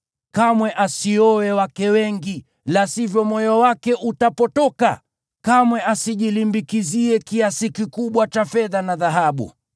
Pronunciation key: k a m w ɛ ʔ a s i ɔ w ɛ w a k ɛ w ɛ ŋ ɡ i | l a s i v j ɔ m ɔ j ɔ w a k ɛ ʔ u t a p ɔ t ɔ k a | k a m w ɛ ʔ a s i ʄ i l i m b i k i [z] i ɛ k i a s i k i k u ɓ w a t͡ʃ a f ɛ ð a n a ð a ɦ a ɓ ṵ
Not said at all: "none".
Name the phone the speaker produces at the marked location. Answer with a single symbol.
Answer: z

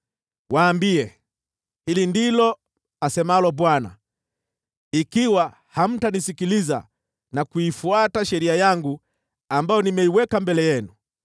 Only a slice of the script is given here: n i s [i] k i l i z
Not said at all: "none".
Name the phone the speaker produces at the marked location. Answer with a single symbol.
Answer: i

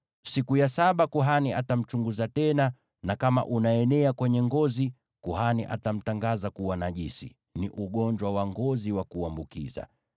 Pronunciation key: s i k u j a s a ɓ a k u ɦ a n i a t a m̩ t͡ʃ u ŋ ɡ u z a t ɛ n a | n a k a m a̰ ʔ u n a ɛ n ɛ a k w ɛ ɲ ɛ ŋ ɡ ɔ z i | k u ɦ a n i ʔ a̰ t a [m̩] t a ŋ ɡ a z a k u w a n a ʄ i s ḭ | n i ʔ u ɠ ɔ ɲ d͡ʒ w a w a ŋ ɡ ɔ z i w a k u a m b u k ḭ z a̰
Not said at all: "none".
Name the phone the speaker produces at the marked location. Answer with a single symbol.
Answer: m̩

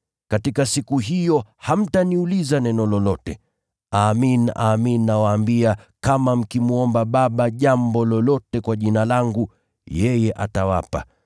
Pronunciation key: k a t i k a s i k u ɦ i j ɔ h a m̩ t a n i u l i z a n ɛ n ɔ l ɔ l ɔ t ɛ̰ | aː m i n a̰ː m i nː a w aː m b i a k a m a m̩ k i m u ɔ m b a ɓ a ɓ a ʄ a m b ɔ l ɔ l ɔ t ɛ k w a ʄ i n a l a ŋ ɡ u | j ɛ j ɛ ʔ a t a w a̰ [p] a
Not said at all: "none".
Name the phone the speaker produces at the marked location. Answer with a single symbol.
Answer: p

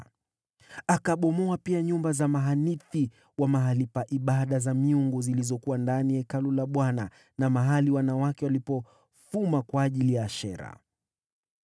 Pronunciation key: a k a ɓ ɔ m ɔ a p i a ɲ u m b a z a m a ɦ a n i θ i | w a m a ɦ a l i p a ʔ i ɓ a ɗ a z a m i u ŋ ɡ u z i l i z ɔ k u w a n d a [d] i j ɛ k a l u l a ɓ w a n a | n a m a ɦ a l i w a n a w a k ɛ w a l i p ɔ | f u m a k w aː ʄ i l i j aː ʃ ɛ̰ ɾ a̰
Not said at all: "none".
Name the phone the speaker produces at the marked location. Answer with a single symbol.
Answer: n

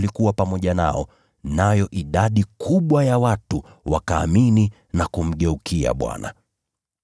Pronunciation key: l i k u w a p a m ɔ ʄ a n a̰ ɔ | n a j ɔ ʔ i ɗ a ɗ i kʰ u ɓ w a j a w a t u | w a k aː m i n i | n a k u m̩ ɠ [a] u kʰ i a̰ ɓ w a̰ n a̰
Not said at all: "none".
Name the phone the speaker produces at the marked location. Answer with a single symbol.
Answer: ɛ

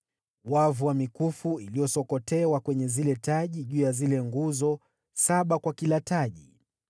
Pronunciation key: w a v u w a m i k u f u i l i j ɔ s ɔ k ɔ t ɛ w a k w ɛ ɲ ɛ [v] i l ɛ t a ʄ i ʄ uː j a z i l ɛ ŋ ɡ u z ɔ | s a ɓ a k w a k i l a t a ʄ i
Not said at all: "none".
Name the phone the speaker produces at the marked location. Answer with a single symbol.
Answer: z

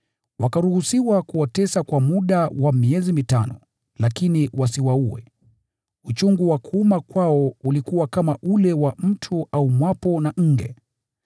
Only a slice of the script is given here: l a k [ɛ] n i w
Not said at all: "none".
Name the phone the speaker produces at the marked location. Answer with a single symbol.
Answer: i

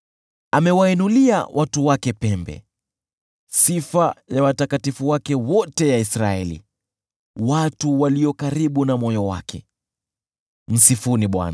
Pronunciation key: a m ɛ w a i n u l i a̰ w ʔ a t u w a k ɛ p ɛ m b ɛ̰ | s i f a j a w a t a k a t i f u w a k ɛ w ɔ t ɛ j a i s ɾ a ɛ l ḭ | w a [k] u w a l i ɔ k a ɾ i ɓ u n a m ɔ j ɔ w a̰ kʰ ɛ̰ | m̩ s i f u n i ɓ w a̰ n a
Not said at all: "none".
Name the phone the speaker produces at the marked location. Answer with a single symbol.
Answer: t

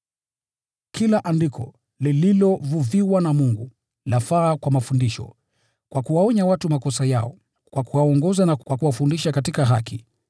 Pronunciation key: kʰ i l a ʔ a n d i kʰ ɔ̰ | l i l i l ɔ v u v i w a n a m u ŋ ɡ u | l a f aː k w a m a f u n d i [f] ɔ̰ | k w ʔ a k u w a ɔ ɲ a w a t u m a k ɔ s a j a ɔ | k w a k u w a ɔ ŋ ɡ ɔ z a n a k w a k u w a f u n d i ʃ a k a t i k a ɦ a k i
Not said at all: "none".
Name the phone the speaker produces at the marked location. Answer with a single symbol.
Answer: ʃ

